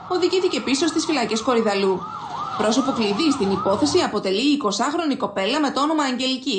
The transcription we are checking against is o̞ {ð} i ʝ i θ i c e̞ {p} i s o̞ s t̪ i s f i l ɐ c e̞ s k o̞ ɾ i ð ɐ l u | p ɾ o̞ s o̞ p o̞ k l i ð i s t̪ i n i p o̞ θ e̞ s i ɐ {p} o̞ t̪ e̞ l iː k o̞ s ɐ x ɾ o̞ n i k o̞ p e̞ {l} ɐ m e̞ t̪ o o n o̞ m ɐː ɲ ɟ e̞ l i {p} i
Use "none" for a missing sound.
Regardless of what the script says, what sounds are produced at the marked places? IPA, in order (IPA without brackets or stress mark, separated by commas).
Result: ð, p, p, l, c